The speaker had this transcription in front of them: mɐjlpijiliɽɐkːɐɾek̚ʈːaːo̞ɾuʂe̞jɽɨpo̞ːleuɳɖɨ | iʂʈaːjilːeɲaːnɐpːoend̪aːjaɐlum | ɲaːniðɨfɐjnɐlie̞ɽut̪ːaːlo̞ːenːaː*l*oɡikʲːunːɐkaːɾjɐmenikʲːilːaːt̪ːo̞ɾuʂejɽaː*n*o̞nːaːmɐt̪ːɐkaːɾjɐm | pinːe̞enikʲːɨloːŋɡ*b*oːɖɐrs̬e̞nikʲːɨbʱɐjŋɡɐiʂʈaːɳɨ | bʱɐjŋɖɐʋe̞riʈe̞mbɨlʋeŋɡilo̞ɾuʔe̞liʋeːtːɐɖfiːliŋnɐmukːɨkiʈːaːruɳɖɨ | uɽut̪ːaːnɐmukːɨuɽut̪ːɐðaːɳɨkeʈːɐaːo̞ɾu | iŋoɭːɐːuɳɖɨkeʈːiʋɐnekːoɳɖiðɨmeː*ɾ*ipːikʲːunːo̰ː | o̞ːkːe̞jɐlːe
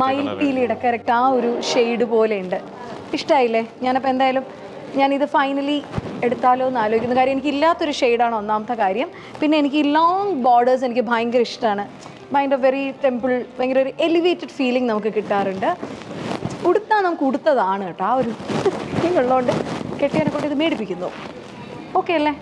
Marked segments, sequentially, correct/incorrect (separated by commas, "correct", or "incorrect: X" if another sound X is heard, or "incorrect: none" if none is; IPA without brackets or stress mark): correct, incorrect: ɳ, correct, incorrect: ɽ